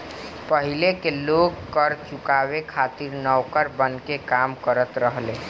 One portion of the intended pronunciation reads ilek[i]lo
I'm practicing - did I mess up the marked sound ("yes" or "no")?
yes